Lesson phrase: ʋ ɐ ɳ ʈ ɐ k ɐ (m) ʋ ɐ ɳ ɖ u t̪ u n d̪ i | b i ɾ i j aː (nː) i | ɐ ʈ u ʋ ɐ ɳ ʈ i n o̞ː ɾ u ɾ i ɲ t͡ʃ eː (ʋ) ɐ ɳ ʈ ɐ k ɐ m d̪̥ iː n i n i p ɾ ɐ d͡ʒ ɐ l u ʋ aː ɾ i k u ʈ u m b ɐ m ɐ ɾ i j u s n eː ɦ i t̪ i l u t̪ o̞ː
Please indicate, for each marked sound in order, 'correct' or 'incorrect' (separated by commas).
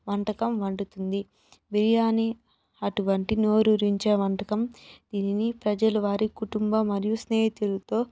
correct, incorrect, correct